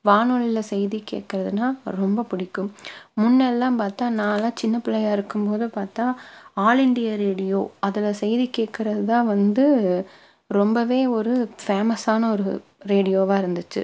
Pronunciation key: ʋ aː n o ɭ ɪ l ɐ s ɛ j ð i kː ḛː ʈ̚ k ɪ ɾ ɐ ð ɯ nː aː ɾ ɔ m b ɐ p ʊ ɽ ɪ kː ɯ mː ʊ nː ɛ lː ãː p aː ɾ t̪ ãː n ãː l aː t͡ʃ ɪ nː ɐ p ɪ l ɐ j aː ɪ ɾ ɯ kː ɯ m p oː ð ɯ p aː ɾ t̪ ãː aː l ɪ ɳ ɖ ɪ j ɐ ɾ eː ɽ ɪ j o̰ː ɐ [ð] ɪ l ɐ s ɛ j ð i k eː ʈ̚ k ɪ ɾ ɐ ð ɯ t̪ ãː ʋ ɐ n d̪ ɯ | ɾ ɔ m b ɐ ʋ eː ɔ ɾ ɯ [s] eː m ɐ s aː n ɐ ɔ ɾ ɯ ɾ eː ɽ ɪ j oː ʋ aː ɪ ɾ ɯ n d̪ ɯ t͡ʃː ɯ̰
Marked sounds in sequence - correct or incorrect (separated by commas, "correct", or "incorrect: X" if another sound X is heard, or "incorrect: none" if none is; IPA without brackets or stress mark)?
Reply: correct, incorrect: f